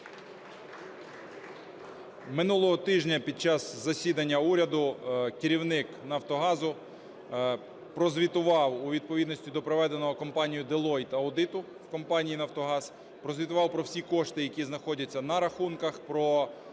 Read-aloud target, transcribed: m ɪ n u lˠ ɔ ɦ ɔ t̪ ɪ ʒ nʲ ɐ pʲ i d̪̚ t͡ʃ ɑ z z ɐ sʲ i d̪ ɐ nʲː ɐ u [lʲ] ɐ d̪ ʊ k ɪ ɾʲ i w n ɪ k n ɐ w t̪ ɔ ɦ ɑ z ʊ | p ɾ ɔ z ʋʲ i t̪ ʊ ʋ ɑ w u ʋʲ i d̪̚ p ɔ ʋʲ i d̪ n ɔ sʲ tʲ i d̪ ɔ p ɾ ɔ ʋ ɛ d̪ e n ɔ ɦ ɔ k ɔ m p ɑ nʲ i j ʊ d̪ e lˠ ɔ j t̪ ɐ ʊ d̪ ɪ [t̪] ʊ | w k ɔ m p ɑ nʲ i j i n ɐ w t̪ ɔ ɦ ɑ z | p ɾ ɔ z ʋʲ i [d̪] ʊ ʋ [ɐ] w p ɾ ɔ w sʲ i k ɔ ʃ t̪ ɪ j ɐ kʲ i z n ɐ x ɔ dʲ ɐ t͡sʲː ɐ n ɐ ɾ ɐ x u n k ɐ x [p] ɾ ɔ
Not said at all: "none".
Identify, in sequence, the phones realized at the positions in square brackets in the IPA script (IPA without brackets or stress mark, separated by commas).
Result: ɾʲ, t̪, t̪, ɑ, p